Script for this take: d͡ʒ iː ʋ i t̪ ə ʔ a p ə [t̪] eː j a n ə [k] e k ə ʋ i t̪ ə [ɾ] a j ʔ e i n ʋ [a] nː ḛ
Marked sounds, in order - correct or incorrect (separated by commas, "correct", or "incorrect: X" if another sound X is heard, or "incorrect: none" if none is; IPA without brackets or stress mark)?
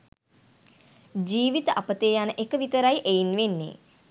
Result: correct, incorrect: ʔ, correct, incorrect: e